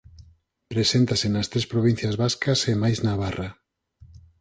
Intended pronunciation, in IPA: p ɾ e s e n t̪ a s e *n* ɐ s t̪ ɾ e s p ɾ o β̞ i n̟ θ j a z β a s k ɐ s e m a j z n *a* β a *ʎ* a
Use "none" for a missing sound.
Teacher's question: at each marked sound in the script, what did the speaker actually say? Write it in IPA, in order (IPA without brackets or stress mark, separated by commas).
n, a, r